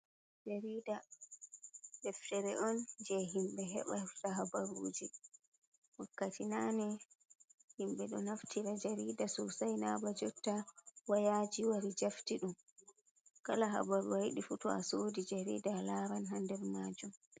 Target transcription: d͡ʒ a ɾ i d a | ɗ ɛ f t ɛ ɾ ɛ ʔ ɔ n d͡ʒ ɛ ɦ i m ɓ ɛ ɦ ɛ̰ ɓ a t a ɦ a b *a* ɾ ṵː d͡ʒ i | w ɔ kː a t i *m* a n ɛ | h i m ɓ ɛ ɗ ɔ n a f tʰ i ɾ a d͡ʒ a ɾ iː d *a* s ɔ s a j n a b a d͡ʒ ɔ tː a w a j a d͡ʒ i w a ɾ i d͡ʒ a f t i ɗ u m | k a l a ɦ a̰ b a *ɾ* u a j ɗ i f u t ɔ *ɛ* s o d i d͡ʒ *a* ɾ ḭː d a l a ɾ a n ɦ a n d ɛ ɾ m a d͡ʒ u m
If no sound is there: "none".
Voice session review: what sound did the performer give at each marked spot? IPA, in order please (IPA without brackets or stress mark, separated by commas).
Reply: a, n, a, ɾ, a, a